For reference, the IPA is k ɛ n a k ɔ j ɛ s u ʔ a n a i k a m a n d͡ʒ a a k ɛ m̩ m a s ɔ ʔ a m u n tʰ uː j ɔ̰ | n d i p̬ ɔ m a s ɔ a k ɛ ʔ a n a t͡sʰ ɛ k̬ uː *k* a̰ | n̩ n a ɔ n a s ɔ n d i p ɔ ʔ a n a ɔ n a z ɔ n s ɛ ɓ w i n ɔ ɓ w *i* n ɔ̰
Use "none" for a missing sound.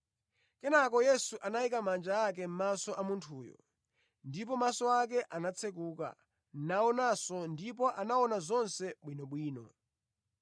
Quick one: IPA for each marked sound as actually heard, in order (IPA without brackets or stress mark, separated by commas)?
k, iː